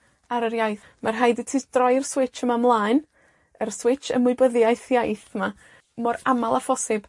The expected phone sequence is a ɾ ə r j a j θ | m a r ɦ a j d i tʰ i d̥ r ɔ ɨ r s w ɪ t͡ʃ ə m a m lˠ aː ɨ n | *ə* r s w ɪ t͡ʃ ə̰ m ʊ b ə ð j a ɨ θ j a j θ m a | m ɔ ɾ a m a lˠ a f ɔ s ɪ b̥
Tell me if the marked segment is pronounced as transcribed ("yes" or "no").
yes